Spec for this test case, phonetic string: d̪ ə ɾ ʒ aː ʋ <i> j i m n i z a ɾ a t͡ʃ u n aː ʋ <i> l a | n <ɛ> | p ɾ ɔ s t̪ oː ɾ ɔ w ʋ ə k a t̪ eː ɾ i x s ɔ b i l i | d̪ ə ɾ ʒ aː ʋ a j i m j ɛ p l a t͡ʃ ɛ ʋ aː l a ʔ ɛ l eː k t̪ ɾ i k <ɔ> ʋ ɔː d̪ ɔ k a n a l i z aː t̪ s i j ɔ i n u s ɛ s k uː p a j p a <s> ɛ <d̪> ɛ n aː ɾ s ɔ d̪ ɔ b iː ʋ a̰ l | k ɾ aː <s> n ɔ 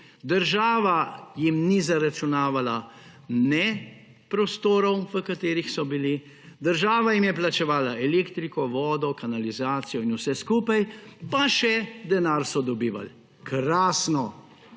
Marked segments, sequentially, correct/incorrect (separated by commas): incorrect, incorrect, correct, correct, incorrect, correct, correct